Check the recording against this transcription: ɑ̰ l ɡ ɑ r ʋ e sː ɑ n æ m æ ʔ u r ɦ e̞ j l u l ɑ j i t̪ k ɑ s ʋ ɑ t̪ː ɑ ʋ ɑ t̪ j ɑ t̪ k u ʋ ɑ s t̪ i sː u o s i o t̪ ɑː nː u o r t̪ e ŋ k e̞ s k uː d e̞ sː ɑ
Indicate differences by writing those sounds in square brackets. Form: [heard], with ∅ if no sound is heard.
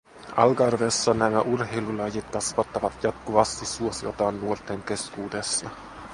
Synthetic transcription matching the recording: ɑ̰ l ɡ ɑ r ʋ e sː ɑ n æ m æ ʔ u r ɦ e̞ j l u l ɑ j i t̪ k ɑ s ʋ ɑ t̪ː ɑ ʋ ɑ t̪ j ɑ t̪ k u ʋ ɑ s t̪ i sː u o s i o t̪ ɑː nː u o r t̪ e ŋ k e̞ s k uː d e̞ sː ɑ